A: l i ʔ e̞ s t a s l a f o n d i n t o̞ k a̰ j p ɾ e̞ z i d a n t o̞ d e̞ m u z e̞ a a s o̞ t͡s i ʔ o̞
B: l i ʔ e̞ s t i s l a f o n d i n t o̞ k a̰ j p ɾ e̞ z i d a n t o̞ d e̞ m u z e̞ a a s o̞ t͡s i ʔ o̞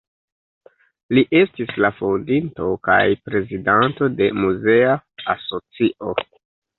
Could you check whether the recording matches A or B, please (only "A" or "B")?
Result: B